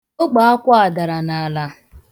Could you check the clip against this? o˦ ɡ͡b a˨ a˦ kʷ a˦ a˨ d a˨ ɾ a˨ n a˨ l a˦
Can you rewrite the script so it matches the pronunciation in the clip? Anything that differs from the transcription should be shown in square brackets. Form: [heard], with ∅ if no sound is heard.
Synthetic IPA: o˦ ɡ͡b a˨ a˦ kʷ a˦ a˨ d a˨ ɾ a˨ n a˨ l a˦